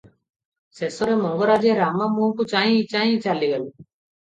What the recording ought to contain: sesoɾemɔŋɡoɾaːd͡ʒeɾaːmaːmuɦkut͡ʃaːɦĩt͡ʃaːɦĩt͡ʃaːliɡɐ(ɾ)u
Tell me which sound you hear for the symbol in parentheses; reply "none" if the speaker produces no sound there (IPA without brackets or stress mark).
l